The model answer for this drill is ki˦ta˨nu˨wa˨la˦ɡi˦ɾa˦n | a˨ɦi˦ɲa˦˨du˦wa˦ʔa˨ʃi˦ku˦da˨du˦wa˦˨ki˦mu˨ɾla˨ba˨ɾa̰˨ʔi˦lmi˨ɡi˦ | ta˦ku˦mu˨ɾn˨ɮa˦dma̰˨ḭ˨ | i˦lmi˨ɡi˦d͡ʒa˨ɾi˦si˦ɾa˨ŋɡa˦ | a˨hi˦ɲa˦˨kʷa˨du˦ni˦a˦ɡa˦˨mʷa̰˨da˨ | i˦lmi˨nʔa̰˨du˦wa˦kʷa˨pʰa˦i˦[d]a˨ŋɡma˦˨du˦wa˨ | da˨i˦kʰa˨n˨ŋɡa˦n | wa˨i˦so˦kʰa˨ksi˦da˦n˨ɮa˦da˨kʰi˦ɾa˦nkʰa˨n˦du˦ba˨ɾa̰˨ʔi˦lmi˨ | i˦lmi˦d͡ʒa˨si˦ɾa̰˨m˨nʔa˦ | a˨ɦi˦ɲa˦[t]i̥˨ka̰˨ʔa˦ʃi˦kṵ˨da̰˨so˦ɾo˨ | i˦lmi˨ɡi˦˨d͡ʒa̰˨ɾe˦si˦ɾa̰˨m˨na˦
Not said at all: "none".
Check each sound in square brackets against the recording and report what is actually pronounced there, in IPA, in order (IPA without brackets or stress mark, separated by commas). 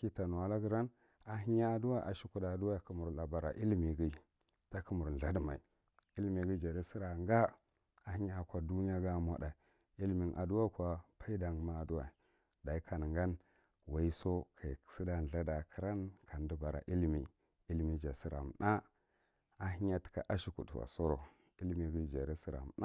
d, t